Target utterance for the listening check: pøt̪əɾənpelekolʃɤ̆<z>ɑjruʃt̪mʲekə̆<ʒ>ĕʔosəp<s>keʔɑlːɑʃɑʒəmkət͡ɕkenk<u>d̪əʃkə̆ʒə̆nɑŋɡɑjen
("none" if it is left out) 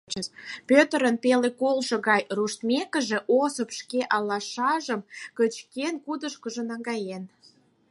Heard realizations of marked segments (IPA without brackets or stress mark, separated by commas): ɣ, ʒ, ʃ, u